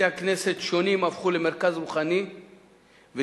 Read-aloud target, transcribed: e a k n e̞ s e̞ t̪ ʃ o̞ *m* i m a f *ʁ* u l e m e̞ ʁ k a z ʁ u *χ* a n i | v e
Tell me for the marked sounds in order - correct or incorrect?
incorrect: n, incorrect: χ, correct

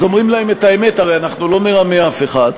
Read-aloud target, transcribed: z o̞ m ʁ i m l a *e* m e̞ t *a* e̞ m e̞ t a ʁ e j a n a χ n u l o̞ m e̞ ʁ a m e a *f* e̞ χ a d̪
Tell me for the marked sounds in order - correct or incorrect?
correct, correct, correct

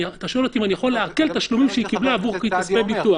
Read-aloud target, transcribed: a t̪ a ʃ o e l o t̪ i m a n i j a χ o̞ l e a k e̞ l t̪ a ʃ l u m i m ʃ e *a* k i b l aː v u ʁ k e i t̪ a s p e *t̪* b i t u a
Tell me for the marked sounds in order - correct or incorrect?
incorrect: i, incorrect: none

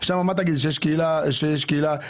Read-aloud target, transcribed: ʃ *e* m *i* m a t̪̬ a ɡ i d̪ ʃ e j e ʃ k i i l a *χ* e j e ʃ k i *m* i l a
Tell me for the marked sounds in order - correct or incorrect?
incorrect: a, incorrect: a, incorrect: ʃ, incorrect: none

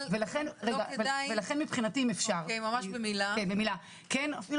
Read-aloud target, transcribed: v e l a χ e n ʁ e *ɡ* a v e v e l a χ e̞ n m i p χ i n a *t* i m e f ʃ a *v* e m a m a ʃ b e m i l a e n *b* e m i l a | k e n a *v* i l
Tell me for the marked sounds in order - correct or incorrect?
correct, correct, incorrect: ʁ, correct, incorrect: f

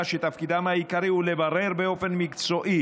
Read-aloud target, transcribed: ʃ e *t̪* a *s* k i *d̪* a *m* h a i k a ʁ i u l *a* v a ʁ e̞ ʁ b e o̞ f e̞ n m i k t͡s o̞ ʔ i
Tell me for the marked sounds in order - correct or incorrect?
correct, incorrect: f, correct, correct, incorrect: e

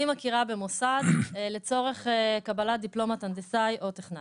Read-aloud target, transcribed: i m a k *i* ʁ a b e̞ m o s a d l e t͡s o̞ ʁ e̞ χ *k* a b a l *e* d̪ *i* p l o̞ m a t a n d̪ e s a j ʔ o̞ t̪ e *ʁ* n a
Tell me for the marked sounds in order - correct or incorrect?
correct, correct, incorrect: a, correct, incorrect: χ

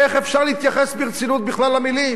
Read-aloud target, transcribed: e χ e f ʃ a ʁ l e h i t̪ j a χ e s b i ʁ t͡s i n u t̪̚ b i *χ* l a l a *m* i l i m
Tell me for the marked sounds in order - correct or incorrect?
correct, correct

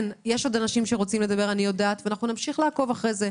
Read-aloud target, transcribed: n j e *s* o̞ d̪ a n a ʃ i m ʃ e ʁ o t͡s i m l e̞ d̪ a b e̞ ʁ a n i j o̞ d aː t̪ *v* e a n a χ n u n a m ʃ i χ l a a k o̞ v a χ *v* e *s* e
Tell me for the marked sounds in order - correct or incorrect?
incorrect: ʃ, correct, incorrect: ʁ, incorrect: z

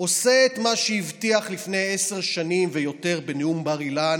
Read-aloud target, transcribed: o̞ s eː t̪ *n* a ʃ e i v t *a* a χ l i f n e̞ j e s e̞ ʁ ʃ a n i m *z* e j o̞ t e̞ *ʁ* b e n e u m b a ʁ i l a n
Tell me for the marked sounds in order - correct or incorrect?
incorrect: m, incorrect: i, incorrect: v, correct

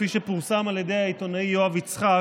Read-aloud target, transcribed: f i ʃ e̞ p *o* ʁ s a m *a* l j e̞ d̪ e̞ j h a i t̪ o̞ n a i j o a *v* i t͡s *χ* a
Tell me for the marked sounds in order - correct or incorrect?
incorrect: u, correct, correct, correct

